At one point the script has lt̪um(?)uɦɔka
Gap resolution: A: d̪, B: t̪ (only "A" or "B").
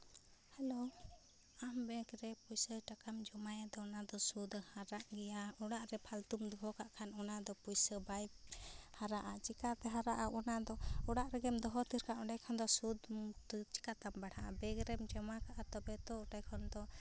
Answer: A